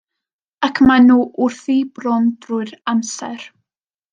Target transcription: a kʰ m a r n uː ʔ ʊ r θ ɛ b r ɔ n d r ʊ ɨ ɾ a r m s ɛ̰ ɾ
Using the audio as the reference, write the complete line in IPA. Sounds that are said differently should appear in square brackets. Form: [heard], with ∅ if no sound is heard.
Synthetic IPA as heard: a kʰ m a [∅] n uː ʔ ʊ r θ [i] b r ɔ n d r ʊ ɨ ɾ a [∅] m s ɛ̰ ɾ